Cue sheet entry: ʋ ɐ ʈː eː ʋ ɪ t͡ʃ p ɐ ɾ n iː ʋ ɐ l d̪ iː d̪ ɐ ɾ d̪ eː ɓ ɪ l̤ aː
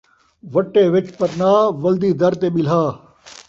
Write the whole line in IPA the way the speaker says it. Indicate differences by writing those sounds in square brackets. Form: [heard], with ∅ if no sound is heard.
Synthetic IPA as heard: ʋ ɐ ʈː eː ʋ ɪ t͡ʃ p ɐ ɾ n [aː] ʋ ɐ l d̪ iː d̪ ɐ ɾ [t̪] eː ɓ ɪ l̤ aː